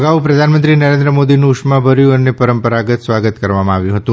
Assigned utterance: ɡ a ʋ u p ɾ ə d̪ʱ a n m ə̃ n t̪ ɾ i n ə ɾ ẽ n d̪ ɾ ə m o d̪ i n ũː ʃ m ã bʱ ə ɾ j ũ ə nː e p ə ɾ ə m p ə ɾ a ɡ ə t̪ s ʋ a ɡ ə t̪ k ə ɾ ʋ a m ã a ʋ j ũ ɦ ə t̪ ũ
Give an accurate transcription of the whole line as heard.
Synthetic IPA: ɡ a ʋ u p ɾ ə d̪ʱ a n m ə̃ n t̪ ɾ i n ə ɾ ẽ n d̪ ɾ ə m o d̪ i n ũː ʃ m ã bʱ ə ɾ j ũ ə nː e p ə ɾ ə m p ə ɾ a ɡ ə t̪ s ʋ a ɡ ə t̪ k ə ɾ ʋ a m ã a ʋ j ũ ɦ ə t̪ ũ